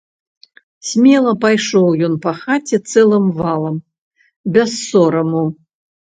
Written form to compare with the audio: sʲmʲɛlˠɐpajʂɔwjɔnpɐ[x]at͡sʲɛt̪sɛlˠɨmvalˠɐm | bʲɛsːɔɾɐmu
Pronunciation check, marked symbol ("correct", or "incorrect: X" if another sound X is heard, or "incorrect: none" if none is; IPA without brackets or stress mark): correct